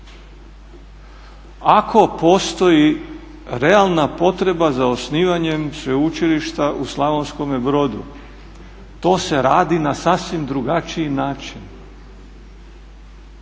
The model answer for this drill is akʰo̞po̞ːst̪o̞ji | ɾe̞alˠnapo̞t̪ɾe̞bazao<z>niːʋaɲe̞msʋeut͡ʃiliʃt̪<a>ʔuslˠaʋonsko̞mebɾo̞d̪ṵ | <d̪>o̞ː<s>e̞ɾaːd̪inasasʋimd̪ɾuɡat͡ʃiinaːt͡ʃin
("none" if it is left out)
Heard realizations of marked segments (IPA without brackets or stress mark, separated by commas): s, a, t̪, s